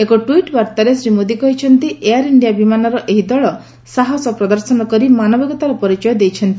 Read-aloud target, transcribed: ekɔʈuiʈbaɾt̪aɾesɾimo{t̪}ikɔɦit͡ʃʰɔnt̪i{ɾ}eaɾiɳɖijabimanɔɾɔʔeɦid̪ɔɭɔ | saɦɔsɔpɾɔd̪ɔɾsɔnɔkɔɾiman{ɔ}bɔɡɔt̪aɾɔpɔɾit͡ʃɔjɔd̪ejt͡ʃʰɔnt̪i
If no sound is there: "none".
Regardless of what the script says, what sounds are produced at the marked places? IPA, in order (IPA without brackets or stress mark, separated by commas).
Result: d̪, none, ɔ